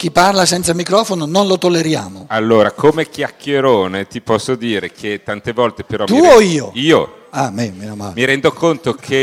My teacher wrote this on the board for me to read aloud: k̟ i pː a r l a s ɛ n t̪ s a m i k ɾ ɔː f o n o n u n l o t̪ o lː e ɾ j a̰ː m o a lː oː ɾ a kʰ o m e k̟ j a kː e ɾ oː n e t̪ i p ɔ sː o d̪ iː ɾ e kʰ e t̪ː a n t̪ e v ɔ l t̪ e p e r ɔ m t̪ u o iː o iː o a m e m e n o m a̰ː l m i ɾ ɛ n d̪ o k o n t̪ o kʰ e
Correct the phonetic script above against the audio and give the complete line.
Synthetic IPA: k̟ i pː a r l a s ɛ n t̪ s a m i k ɾ ɔː f o n o n o n l o t̪ o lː e ɾ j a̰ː m o a lː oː ɾ a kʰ o m e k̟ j a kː e ɾ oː n e t̪ i p ɔ sː o d̪ iː ɾ e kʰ e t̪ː a n t̪ e v ɔ l t̪ e p e ɾ ɔ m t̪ u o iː o iː o a m e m e n o m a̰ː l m i ɾ ɛ n d̪ o k o n t̪ o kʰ e